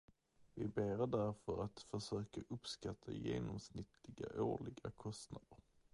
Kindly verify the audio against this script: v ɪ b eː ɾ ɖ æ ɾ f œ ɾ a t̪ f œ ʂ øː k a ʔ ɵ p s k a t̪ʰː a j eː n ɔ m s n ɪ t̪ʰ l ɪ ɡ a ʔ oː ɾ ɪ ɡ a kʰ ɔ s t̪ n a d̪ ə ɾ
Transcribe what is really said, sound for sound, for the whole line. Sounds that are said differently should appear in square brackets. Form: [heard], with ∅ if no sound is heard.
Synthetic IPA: v ɪ b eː ɾ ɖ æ ɾ f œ ɾ a t̪ f œ ʂ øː k a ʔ ɵ p s k a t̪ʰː a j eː n ɔ m s n ɪ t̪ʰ l ɪ ɡ a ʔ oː [ɭ] ɪ ɡ a kʰ ɔ s t̪ n a d̪ ə ɾ